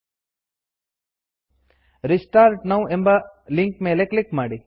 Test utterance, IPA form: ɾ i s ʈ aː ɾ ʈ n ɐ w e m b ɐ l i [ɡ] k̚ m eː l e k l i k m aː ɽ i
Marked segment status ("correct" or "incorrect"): incorrect